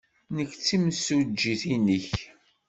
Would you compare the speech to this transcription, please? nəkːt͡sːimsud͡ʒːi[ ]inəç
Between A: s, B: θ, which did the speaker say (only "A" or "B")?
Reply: B